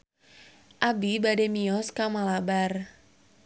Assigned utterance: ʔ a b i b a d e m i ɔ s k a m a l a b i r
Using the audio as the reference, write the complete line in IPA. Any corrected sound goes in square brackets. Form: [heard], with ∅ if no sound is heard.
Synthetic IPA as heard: ʔ a b i b a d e m i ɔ s k a m a l a b [a] r